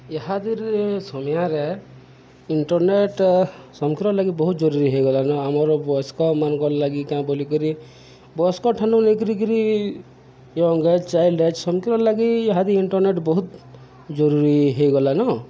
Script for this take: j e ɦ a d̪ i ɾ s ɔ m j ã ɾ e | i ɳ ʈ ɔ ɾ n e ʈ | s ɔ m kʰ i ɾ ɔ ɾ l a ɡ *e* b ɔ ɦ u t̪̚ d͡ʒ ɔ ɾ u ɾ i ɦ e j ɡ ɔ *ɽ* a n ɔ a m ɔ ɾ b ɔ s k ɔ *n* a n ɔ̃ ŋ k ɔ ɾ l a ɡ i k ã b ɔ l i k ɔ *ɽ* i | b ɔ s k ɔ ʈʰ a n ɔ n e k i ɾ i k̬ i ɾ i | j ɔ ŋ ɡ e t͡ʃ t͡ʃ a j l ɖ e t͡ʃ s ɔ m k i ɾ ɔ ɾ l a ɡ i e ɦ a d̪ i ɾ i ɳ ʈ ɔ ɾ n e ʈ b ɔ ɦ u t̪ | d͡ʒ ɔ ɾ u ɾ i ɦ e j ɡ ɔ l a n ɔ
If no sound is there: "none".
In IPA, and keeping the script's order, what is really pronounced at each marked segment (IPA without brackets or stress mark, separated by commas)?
i, l, m, ɾ